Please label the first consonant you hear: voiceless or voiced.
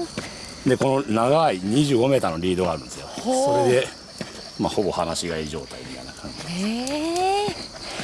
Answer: voiced